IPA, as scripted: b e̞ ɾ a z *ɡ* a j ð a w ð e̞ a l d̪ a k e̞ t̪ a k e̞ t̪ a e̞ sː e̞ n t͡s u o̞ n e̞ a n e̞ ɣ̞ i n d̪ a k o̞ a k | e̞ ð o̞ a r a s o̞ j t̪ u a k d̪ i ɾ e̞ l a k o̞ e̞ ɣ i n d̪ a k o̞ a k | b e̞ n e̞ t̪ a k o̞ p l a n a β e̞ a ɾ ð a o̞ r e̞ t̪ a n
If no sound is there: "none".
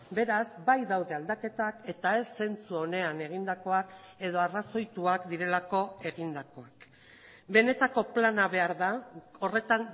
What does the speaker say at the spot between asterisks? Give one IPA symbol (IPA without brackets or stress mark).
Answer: b